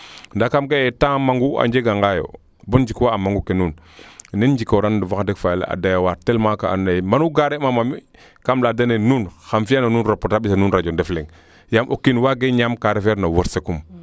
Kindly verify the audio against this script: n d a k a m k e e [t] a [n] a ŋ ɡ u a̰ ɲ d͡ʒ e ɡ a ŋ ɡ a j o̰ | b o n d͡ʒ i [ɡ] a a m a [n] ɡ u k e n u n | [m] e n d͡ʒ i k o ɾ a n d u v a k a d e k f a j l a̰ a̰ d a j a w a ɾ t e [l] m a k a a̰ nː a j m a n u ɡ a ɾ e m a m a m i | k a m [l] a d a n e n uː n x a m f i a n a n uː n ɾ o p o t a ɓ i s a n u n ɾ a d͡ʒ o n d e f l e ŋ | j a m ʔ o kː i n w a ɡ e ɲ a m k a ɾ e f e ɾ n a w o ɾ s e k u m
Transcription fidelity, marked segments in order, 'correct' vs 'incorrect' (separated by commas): correct, incorrect, incorrect, incorrect, incorrect, correct, correct